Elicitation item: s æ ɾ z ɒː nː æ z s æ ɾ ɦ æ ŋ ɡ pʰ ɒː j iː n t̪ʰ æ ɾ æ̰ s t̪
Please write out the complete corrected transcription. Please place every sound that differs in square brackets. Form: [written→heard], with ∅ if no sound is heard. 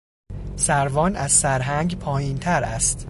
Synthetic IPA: s æ ɾ [z→v] ɒː [nː→n] æ z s æ ɾ ɦ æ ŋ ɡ pʰ ɒː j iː n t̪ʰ æ ɾ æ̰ s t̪